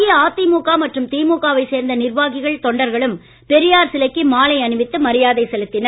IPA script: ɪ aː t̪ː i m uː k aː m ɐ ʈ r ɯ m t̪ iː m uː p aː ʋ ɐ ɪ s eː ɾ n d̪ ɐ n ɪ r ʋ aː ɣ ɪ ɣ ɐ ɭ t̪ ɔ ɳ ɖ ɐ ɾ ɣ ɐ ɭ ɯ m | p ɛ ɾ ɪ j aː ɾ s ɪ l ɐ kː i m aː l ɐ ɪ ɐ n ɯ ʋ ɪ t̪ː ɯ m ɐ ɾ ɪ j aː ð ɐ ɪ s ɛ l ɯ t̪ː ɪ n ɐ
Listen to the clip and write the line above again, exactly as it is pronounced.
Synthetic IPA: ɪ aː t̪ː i m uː k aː m ɐ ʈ r ɯ m t̪ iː m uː k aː ʋ ɐ ɪ s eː ɾ n d̪ ɐ n ɪ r ʋ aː ɣ ɪ ɣ ɐ ɭ t̪ ɔ ɳ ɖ ɐ ɾ ɣ ɐ ɭ ɯ m | p ɛ ɾ ɪ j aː ɾ s ɪ l ɐ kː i m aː l ɐ ɪ ɐ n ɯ ʋ ɪ t̪ː ɯ m ɐ ɾ ɪ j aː ð ɐ ɪ s ɛ l ɯ t̪ː ɪ n ɐ